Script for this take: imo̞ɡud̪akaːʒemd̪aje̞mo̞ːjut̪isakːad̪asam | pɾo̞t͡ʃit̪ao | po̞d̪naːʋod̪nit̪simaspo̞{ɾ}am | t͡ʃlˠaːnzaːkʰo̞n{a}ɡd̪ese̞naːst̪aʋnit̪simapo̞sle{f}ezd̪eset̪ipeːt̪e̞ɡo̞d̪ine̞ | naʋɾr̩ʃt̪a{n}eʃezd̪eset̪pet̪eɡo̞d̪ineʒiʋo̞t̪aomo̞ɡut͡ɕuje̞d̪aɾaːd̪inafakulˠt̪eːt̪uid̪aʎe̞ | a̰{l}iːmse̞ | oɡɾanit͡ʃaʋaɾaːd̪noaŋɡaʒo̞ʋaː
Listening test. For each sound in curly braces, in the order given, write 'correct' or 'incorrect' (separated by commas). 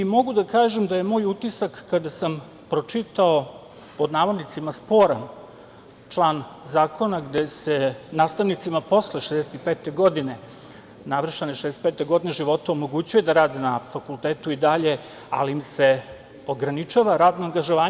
correct, correct, incorrect, correct, correct